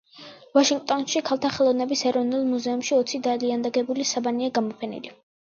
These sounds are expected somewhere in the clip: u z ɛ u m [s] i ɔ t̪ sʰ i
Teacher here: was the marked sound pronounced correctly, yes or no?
no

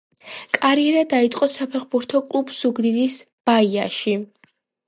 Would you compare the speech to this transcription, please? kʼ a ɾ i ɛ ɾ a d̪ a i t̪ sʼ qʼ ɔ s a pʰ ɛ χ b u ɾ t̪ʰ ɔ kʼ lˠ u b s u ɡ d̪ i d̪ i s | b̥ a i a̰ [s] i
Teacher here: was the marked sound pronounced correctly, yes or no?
no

